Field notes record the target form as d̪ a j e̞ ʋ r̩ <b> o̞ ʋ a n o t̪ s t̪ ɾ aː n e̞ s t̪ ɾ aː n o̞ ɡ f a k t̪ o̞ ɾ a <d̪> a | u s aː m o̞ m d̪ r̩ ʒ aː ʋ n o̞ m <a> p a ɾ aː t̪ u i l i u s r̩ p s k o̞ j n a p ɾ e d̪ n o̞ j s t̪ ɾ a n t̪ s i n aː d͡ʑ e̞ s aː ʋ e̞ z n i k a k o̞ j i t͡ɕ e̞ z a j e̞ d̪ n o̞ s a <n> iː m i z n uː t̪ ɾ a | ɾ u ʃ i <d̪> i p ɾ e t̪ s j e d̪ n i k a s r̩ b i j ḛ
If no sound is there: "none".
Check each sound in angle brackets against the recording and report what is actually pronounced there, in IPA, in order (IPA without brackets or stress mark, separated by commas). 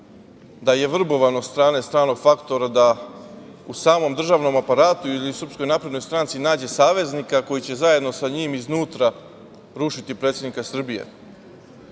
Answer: b, d̪, a, ɲ, t̪